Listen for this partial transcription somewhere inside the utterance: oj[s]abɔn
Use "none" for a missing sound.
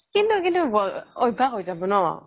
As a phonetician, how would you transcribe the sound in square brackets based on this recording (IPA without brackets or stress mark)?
z